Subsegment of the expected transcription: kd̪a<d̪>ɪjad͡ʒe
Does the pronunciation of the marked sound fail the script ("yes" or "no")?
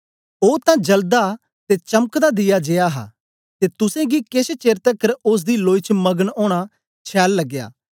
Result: no